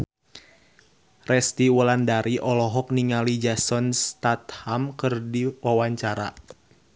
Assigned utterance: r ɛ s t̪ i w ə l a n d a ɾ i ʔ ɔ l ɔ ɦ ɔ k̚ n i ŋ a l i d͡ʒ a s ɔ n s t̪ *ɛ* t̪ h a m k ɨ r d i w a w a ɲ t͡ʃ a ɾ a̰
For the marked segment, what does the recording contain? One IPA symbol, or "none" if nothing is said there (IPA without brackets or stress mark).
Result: a